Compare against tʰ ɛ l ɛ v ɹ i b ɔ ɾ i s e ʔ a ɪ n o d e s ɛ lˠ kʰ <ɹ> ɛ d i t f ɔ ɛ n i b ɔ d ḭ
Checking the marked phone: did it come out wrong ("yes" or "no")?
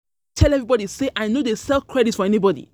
no